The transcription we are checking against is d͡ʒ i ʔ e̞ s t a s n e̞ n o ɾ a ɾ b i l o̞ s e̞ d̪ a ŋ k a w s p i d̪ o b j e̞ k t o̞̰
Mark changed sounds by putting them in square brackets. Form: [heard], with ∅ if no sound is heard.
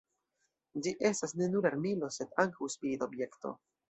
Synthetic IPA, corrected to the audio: d͡ʒ i ʔ e̞ s t a s n e̞ n [u] ɾ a ɾ [m] i l o̞ s e̞ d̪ a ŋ k a w s p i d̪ o b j e̞ k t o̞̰